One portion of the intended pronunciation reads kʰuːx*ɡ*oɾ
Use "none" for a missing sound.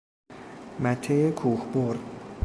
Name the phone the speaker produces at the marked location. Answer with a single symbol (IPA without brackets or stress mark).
b